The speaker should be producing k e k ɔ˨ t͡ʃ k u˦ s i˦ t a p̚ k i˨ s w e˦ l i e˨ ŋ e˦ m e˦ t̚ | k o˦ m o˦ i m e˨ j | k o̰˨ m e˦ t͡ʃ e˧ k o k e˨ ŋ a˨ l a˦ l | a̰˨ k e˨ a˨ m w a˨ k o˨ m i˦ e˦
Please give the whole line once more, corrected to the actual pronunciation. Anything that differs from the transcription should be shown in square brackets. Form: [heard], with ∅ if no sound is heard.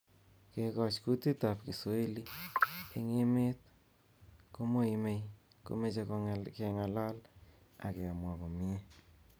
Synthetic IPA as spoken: k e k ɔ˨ t͡ʃ k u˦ [t] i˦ t a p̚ k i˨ s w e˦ l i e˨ ŋ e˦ m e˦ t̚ | k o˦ m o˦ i m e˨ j | k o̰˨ m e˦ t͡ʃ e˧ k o k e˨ ŋ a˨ l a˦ l | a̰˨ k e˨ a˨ m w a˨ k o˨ m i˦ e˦